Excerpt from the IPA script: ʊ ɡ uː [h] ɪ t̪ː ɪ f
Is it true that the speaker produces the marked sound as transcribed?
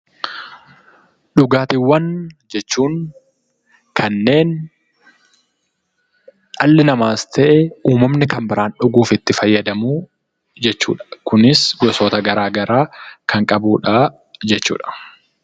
no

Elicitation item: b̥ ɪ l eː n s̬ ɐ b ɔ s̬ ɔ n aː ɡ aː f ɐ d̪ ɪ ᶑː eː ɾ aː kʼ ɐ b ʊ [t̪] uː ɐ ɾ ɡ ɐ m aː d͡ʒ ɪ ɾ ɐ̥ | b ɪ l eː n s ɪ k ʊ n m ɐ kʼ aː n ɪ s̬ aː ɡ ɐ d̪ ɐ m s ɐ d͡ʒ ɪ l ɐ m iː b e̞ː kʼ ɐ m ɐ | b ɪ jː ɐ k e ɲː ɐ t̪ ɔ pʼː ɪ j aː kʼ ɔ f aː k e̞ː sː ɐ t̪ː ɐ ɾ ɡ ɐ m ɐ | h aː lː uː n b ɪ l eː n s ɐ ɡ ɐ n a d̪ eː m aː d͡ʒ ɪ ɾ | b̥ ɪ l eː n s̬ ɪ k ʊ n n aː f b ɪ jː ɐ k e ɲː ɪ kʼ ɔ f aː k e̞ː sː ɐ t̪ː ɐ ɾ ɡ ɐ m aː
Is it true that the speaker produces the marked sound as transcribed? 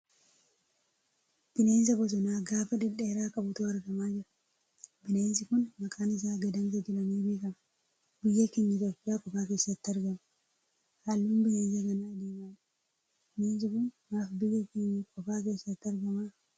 yes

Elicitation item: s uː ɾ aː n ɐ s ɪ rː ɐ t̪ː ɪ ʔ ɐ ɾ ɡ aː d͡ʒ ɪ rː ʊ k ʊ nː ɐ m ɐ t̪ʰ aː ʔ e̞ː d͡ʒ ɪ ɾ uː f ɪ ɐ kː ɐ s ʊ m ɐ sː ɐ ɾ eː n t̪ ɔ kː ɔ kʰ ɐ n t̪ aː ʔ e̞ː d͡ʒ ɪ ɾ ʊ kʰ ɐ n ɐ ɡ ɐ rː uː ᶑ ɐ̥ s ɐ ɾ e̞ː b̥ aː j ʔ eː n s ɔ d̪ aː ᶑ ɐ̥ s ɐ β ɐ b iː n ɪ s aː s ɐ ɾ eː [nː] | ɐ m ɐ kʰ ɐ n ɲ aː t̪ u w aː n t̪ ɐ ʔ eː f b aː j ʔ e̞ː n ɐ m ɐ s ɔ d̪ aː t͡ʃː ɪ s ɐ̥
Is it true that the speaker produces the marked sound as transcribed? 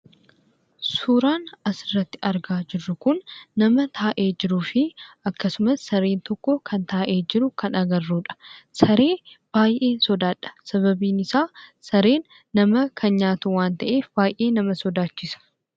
yes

